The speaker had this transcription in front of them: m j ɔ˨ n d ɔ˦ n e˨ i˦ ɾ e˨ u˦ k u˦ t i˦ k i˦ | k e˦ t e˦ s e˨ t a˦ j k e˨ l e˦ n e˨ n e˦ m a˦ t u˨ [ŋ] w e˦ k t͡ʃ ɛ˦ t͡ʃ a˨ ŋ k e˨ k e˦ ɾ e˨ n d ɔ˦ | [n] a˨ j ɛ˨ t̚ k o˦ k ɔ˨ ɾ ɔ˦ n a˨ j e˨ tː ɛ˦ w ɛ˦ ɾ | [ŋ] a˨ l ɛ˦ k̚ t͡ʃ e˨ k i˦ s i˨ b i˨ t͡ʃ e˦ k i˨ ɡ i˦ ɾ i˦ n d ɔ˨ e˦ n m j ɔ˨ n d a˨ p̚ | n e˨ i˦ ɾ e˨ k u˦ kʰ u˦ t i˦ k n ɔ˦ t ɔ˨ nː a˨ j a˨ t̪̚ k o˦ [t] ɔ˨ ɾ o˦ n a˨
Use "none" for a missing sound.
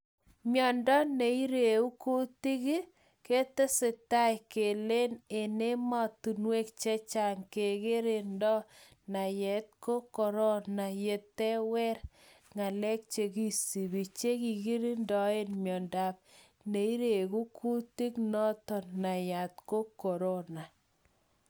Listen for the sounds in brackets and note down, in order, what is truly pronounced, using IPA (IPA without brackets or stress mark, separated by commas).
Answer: n, n, ŋ, k